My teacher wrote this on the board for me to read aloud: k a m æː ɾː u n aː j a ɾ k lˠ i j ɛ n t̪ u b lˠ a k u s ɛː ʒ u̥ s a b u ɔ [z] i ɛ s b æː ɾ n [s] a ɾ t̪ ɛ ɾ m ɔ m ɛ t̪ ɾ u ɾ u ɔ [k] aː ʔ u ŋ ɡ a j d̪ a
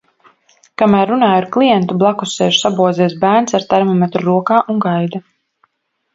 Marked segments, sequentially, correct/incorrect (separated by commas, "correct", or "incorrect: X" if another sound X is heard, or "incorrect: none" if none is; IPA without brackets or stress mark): correct, correct, correct